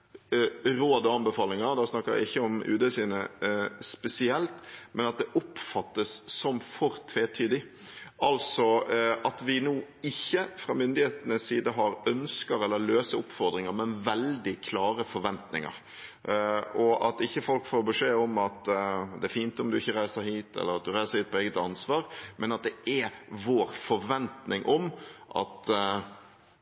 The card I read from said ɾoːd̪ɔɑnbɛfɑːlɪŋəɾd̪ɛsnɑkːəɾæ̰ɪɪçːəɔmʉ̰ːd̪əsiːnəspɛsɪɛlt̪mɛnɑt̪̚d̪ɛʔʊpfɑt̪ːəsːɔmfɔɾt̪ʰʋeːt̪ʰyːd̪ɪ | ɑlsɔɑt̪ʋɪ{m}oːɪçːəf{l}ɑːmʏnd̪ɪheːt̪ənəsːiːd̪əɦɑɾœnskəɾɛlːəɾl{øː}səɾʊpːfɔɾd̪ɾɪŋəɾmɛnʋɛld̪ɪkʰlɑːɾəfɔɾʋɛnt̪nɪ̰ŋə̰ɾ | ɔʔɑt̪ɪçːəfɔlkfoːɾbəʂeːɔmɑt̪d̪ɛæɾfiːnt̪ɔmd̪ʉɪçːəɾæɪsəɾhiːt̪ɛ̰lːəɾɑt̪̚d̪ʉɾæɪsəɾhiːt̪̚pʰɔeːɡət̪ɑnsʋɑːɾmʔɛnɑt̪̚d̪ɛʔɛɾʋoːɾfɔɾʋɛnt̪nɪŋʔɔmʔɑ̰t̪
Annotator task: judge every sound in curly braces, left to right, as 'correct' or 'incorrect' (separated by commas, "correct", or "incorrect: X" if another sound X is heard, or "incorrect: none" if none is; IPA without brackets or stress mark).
incorrect: n, incorrect: ɾ, correct